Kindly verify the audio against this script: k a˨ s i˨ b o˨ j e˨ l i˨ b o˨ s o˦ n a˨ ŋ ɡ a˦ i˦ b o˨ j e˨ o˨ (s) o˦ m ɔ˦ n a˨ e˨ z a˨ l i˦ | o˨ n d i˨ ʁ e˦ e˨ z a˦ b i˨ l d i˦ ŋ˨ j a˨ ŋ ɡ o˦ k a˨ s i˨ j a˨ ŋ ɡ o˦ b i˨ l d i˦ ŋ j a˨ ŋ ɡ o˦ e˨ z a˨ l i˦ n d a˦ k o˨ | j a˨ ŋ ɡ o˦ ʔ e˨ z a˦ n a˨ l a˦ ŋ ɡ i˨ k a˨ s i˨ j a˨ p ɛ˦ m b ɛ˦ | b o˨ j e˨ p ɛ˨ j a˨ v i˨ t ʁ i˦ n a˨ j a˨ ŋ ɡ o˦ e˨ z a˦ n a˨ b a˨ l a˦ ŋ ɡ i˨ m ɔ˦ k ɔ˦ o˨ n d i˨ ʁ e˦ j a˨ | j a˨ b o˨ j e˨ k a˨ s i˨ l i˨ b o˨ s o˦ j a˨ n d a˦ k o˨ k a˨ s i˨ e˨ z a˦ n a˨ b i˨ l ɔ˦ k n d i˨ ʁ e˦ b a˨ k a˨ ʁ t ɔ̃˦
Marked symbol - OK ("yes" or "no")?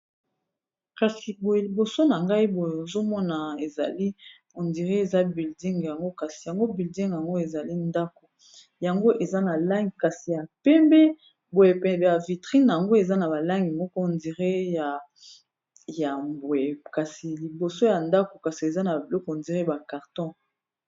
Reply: no